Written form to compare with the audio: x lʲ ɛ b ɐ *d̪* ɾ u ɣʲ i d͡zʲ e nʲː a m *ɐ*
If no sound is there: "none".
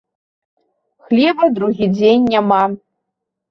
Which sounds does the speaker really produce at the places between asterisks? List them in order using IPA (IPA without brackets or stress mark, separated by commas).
d̪, a